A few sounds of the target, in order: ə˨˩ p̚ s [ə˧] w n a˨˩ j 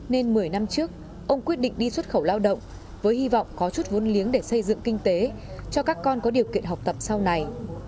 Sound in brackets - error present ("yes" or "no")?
yes